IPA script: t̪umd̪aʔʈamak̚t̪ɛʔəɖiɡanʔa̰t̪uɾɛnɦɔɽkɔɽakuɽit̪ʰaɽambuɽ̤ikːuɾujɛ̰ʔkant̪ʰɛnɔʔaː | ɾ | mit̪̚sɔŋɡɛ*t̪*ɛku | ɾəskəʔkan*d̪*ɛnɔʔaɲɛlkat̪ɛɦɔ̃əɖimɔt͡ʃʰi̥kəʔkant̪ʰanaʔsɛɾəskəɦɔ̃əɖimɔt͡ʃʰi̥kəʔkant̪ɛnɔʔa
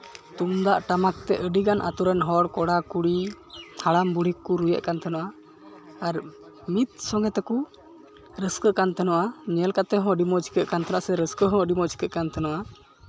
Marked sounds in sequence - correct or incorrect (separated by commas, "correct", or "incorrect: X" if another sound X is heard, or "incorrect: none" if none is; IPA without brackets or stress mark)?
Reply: correct, incorrect: t̪